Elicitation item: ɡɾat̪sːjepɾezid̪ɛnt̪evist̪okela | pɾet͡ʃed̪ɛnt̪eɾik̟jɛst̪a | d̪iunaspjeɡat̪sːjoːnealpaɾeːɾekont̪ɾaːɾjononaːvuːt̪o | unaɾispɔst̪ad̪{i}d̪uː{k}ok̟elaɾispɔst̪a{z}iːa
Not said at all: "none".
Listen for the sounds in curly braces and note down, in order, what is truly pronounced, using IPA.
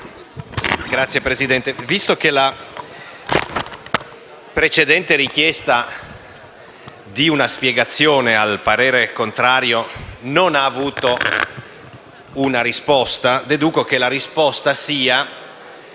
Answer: e, k, s

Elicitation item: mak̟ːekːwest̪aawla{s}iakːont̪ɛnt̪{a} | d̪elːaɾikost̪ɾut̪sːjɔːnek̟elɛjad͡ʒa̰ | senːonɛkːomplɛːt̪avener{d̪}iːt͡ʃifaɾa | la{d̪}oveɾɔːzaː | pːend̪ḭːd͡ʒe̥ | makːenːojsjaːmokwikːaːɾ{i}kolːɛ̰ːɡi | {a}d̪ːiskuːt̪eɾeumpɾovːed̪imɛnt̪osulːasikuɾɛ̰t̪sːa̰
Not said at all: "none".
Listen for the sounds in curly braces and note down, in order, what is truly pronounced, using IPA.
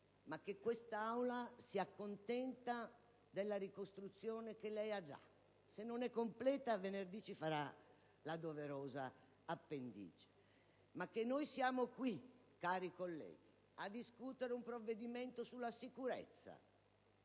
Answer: s, a, d̪, d̪, i, a

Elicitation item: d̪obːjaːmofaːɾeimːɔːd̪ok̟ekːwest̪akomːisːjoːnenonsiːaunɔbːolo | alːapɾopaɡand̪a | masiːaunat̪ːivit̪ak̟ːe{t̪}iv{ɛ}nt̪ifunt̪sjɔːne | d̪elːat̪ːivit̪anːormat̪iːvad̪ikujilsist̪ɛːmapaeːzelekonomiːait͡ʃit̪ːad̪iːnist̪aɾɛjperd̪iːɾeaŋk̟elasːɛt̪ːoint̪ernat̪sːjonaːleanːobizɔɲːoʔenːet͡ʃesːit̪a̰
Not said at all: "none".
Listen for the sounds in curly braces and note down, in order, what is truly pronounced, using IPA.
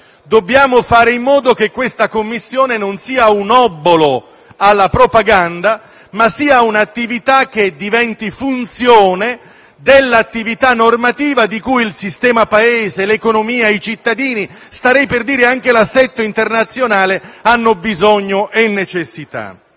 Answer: d̪, ɛ

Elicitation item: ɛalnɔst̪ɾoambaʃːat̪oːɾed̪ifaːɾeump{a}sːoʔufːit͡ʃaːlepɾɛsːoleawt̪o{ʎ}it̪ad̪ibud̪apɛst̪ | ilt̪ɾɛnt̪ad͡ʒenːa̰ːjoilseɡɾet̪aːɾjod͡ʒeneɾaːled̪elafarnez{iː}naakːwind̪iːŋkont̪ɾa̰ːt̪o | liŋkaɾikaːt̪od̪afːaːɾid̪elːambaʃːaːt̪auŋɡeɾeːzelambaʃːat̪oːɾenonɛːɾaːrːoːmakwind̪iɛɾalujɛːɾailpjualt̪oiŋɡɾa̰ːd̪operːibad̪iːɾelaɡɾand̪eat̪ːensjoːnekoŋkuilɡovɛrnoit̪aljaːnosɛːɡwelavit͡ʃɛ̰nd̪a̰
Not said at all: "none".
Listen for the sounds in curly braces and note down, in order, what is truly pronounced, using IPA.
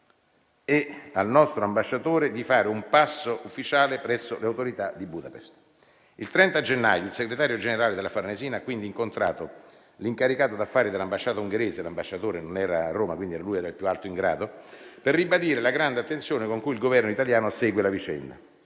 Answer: a, ɾ, iː

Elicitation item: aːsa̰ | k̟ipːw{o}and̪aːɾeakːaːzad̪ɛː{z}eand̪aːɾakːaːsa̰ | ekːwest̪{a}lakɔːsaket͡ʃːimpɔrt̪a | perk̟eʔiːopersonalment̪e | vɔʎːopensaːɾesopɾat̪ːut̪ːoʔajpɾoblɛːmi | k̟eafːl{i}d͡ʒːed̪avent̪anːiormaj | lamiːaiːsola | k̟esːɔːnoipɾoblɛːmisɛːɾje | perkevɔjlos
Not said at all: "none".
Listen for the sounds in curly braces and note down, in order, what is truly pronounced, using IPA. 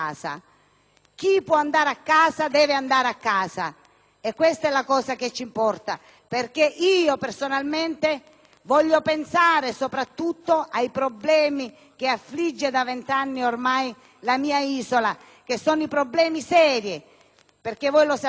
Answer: ɔ, v, ɛ, i

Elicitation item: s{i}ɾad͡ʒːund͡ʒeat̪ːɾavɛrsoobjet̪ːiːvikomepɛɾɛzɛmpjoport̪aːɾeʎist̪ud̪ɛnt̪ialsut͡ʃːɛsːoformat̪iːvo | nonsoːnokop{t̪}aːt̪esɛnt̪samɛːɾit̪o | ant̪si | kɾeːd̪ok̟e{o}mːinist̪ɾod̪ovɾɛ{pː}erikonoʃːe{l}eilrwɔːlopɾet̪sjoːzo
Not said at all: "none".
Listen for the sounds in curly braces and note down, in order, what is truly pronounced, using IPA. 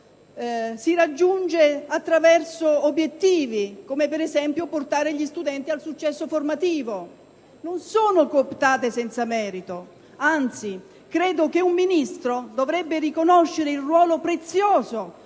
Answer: i, t̪, u, bː, ɾ

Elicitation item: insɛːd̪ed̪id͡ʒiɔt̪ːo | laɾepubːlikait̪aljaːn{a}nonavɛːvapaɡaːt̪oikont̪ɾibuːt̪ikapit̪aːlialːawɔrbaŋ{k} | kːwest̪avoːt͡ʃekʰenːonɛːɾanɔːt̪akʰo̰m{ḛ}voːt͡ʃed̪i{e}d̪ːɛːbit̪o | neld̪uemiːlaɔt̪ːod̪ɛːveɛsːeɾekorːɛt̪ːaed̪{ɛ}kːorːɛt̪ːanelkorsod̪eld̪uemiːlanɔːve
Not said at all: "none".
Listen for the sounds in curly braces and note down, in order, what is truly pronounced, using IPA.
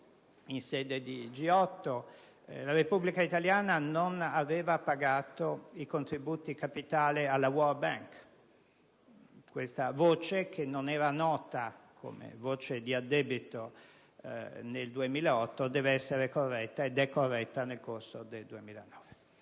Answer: a, k, ḛ, a, ɛ

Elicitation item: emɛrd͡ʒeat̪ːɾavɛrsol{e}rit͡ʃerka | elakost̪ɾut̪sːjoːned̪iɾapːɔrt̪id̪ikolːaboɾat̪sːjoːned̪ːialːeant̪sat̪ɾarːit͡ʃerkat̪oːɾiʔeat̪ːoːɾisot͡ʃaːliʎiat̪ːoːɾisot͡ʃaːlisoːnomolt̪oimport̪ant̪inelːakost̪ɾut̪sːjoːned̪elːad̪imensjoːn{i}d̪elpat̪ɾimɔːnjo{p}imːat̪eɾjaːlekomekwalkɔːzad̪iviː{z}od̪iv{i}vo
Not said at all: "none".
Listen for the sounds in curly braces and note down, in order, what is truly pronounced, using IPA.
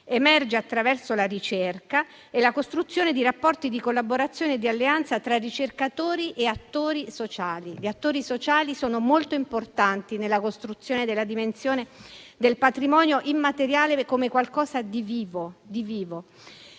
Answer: a, e, ʔ, v, iː

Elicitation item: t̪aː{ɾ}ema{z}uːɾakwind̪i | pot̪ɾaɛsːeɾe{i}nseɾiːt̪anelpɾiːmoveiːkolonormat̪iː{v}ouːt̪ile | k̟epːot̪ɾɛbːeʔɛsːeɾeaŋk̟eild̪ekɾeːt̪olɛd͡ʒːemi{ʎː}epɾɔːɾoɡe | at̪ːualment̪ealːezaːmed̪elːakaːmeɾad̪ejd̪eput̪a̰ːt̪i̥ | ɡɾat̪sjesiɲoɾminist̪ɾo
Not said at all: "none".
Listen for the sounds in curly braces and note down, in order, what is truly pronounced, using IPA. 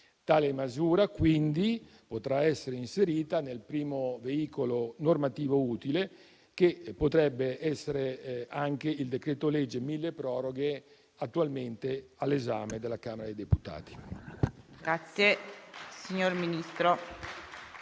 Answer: l, z, i, v, lː

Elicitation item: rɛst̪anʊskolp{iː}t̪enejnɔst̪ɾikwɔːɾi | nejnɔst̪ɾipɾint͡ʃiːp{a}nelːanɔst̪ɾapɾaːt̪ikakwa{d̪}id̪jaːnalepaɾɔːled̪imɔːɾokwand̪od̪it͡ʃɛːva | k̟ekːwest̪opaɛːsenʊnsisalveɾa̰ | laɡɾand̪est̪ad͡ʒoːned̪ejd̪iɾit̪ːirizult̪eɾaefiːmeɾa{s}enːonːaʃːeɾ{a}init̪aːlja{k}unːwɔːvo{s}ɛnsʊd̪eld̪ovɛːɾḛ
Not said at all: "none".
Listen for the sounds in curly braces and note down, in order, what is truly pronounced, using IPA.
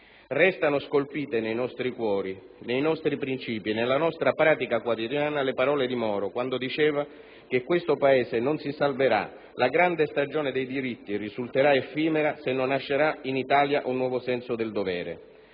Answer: iː, i, t̪, s, a, ʔ, s

